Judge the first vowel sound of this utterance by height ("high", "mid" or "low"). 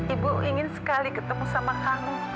high